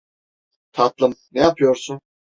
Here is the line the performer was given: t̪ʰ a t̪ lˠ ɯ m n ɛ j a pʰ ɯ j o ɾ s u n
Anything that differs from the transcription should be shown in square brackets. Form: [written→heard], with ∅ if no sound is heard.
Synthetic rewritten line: t̪ʰ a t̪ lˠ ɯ m n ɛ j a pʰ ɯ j o ɾ s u n

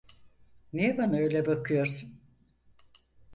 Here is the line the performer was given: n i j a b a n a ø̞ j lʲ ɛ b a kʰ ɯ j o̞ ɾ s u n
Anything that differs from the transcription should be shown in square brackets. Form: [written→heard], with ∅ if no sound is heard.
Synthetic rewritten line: n i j [a→ɛ] b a n a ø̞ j lʲ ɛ b a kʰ ɯ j o̞ ɾ s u n

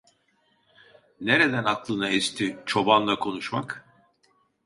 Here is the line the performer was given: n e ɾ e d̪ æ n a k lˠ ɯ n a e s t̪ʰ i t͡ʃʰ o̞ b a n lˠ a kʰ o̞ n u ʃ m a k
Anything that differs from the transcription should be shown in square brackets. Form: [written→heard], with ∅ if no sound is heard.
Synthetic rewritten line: n e ɾ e d̪ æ n a k lˠ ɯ n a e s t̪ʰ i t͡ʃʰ o̞ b a n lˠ a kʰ o̞ n u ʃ m a k

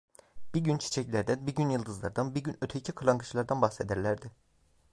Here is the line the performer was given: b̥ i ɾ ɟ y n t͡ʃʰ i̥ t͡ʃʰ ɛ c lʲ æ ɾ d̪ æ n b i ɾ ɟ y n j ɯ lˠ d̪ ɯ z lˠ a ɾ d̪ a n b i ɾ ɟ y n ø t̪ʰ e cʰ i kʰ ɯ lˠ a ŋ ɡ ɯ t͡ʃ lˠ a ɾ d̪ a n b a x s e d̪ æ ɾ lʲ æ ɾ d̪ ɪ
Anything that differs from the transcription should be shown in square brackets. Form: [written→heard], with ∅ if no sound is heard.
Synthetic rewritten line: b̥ i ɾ ɟ y n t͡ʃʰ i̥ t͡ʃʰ ɛ c lʲ æ ɾ d̪ æ n b i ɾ ɟ y n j ɯ lˠ d̪ ɯ z lˠ a ɾ d̪ a n b i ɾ ɟ y n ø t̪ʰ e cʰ i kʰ ɯ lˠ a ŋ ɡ ɯ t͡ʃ lˠ a ɾ d̪ a n b a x s e d̪ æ ɾ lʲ æ ɾ d̪ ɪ

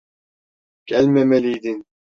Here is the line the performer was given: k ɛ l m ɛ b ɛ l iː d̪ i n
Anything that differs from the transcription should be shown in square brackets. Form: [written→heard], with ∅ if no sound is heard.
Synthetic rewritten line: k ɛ l m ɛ [b→m] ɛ l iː d̪ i n

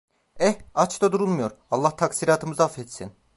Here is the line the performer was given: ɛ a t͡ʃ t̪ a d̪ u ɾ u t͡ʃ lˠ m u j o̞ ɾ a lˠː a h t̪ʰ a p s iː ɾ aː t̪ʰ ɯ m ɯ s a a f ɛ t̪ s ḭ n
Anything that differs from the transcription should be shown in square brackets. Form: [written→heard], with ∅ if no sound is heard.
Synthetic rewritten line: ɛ a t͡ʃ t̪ a d̪ u ɾ u [t͡ʃ→∅] lˠ m u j o̞ ɾ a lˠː a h t̪ʰ a [p→k] s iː ɾ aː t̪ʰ ɯ m ɯ [s→z] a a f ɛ t̪ s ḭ n

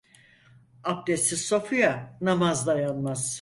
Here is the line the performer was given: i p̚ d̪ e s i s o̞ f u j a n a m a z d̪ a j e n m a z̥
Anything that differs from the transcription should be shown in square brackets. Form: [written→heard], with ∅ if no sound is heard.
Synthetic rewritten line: [i→a] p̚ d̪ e s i s o̞ f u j a n a m a z d̪ a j [e→a] n m a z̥

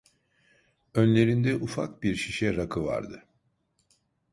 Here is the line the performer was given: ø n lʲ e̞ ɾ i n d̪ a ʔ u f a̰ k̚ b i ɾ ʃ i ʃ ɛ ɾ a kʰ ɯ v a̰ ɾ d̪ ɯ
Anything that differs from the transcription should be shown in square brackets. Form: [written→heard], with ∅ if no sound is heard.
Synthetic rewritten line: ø n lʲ e̞ ɾ i n d̪ [a→ɛ] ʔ u f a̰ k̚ b i ɾ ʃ i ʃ ɛ ɾ a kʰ ɯ v a̰ ɾ d̪ ɯ

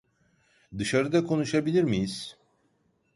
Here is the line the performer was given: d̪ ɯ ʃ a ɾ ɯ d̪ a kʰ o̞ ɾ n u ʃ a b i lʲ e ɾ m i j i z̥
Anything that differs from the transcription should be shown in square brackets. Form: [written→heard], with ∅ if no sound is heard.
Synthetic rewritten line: d̪ ɯ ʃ a ɾ ɯ d̪ a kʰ o̞ [ɾ→∅] n u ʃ a b i lʲ [e→i] ɾ m i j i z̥

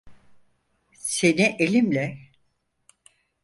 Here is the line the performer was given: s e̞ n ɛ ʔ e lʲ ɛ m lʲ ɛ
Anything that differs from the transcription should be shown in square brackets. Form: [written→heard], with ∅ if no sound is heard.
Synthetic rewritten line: s e̞ n [ɛ→i] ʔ e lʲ [ɛ→i] m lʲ ɛ

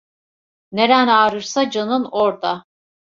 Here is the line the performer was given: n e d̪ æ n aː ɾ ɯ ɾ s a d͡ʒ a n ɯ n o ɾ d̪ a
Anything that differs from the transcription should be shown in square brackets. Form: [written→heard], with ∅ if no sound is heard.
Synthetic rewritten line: n e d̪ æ n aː ɾ ɯ ɾ s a d͡ʒ a n ɯ n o ɾ d̪ a

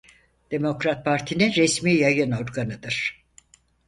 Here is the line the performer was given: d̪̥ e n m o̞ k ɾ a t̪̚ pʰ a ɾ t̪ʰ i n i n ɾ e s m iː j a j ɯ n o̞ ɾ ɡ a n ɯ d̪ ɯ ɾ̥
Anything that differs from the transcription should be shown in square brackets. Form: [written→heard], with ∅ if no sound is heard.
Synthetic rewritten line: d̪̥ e [n→∅] m o̞ k ɾ a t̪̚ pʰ a ɾ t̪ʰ i n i n ɾ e s m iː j a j ɯ n o̞ ɾ ɡ a n ɯ d̪ ɯ ɾ̥

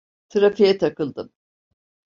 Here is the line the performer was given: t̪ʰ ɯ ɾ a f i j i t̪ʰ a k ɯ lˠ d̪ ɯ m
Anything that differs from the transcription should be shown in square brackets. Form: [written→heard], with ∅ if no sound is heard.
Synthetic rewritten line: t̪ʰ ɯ ɾ a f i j [i→ɛ] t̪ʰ a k ɯ lˠ d̪ ɯ m

